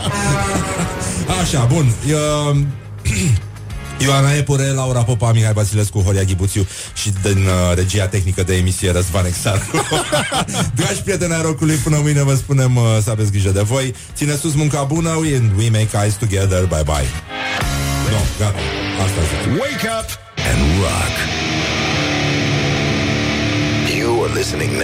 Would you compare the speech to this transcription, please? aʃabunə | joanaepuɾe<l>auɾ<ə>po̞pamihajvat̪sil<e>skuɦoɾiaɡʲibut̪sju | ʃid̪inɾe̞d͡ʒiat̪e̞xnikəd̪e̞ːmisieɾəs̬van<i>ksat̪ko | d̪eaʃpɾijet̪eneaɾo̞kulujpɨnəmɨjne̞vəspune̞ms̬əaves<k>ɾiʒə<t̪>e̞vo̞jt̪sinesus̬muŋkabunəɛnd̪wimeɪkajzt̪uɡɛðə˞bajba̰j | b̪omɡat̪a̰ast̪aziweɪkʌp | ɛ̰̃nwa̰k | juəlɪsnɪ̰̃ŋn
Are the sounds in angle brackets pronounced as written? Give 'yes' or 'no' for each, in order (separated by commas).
yes, no, yes, no, no, no